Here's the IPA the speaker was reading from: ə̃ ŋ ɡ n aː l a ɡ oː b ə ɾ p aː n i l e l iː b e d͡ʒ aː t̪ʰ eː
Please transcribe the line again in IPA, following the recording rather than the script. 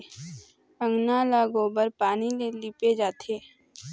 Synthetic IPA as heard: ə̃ ŋ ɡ n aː l a ɡ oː b ə ɾ p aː n i l e l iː p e d͡ʒ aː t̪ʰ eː